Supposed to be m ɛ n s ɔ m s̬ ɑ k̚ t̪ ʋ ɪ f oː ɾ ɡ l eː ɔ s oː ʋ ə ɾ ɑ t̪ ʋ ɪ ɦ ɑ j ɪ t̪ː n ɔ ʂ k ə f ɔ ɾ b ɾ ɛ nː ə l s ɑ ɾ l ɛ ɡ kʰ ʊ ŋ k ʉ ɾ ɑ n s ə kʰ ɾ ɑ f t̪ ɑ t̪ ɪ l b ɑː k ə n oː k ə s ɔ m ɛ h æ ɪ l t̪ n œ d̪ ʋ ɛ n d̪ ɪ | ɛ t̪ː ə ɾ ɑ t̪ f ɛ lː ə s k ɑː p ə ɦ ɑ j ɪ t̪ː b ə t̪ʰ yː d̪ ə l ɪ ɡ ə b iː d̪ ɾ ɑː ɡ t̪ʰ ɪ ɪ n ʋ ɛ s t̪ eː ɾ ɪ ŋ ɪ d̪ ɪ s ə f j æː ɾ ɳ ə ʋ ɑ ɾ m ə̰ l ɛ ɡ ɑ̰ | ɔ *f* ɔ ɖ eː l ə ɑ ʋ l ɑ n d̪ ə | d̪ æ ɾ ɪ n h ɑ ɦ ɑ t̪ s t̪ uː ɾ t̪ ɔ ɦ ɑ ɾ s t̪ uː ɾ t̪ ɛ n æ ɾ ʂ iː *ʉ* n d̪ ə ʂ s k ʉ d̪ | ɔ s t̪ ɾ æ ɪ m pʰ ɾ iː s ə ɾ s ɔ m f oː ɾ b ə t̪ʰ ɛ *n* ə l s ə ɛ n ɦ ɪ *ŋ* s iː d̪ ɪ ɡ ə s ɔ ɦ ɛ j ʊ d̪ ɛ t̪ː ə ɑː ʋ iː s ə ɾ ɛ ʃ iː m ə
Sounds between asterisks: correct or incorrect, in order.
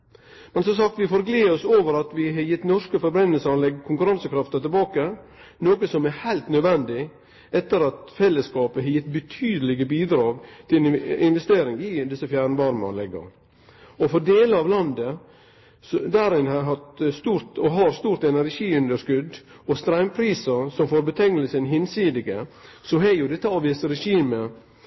correct, correct, incorrect: ŋ, incorrect: n

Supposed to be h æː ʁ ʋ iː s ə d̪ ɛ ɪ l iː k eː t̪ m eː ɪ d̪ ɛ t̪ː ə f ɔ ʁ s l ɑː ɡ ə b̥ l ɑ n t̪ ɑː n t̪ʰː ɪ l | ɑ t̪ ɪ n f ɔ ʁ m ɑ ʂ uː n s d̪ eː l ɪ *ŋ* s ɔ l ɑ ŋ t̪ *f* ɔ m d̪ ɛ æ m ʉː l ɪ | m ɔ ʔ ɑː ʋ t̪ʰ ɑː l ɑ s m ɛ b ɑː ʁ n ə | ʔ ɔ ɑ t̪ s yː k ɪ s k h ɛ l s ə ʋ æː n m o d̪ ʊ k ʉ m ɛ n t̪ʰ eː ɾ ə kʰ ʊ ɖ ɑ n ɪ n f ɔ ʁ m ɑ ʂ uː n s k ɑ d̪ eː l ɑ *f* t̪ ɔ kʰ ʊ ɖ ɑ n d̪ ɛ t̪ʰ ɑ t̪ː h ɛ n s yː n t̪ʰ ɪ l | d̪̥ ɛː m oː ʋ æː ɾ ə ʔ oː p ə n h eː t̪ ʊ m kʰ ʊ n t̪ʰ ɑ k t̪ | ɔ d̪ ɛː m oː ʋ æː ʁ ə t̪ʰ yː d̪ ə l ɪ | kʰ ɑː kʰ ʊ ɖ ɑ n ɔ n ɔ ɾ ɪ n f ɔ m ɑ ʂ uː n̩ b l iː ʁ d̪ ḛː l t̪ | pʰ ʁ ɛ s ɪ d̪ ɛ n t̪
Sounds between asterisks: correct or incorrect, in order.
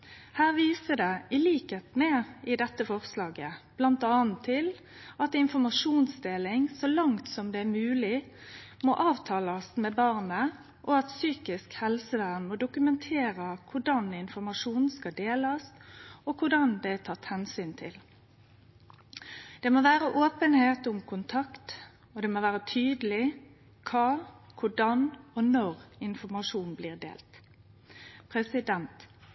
correct, incorrect: s, incorrect: s

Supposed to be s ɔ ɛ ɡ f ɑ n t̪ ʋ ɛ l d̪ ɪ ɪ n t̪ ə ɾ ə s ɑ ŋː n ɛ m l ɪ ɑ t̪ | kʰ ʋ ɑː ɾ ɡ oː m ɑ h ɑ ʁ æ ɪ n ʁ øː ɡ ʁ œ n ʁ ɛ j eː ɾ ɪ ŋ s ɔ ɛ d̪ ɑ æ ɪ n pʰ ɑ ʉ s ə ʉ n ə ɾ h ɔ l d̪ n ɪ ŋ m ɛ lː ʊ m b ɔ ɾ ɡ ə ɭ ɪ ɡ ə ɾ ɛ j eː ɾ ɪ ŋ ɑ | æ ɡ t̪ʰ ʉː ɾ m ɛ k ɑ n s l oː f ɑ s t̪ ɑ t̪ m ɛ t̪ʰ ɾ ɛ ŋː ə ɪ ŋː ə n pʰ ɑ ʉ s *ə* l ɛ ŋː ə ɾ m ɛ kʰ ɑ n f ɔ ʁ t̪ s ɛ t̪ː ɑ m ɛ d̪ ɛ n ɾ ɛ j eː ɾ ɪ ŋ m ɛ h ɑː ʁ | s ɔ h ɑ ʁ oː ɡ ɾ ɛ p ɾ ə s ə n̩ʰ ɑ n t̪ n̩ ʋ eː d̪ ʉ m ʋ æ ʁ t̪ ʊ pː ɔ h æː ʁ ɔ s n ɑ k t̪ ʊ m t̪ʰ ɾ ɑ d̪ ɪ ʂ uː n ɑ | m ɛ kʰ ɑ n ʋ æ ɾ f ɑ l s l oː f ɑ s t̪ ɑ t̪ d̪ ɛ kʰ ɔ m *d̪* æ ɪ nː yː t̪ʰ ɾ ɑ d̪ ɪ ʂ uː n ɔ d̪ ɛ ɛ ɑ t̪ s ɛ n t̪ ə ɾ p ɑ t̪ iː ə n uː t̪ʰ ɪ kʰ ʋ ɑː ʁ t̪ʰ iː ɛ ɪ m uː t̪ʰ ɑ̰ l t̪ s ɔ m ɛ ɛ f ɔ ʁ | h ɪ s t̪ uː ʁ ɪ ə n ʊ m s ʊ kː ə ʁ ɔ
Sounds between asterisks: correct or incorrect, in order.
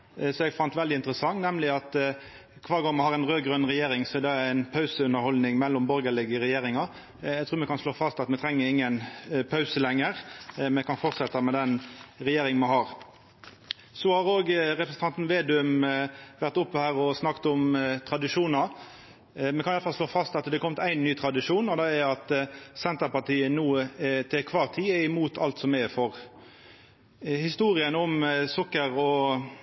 correct, incorrect: t̪

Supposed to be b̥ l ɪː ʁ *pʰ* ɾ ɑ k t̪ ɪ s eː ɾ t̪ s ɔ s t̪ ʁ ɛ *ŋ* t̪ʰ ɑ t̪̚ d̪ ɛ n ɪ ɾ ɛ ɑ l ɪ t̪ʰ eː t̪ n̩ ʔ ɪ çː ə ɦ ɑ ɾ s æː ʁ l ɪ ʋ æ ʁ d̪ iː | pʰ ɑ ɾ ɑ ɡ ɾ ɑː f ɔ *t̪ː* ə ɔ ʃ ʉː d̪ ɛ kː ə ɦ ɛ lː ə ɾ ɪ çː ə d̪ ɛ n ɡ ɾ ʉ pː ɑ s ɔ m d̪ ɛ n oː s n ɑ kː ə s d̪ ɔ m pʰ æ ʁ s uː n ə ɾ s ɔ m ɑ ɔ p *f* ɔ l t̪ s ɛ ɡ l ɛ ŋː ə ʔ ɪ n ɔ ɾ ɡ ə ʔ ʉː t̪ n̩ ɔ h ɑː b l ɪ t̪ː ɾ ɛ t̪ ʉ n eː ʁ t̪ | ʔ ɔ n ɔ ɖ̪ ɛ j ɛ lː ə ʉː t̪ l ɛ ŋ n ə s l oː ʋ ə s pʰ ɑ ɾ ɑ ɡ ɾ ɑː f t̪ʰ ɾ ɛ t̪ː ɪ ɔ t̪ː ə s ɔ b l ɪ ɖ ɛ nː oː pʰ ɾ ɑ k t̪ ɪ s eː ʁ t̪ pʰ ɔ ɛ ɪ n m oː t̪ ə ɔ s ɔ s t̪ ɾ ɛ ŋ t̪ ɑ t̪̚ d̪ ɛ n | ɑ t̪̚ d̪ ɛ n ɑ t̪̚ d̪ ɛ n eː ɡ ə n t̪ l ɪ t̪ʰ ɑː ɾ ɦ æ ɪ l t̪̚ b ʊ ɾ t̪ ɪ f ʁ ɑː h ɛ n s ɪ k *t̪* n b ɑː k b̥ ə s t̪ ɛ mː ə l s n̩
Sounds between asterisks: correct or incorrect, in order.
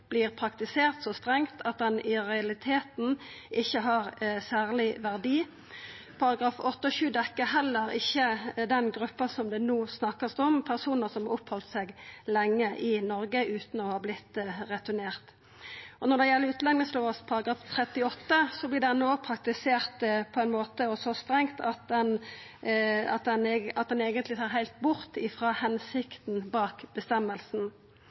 correct, correct, correct, incorrect: h, correct

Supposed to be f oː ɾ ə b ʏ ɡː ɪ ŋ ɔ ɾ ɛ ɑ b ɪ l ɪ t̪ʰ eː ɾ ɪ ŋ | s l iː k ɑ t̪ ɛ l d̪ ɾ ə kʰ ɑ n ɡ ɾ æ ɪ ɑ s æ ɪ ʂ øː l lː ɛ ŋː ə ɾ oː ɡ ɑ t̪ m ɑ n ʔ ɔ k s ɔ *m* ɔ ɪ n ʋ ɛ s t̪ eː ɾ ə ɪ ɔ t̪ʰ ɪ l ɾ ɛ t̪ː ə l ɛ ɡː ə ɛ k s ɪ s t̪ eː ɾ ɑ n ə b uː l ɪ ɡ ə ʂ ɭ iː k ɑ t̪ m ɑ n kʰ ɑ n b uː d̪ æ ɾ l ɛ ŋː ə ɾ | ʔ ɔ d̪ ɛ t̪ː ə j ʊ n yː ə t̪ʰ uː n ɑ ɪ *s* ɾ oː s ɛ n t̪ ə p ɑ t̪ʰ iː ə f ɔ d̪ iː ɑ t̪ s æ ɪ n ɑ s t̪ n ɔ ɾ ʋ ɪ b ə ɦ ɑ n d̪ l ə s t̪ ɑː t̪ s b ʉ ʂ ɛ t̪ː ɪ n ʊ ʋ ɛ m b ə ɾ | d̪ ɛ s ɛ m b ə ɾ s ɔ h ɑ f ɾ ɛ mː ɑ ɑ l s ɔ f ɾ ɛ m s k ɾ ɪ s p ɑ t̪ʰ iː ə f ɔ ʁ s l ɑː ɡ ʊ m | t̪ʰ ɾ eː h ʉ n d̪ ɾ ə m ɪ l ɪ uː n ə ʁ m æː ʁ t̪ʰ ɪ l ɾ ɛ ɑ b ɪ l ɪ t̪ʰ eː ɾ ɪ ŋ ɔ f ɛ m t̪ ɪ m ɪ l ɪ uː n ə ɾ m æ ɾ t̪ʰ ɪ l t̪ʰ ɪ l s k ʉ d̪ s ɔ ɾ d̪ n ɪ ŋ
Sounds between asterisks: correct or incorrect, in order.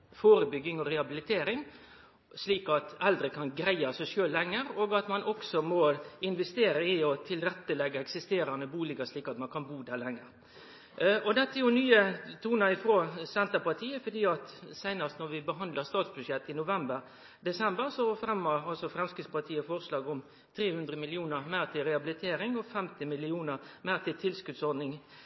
correct, incorrect: f

